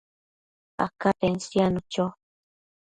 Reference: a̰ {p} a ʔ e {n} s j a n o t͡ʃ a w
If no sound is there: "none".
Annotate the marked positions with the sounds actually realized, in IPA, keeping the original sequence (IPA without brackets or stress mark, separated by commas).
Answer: k, n